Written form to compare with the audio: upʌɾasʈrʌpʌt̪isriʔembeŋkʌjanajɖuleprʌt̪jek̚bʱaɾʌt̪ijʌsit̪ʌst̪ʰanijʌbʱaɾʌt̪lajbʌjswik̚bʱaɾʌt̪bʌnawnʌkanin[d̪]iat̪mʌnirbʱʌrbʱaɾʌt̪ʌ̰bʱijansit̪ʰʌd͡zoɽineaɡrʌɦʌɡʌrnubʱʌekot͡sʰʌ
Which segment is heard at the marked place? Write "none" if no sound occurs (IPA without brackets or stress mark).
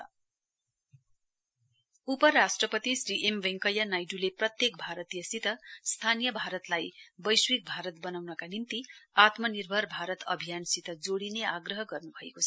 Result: t̪